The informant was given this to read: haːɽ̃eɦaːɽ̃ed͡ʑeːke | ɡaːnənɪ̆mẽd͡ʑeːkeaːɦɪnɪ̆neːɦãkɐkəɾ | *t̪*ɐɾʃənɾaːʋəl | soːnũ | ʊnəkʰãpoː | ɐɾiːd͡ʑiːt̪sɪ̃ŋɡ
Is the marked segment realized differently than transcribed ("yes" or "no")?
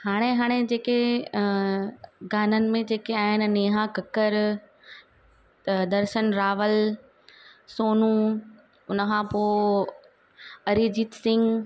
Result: yes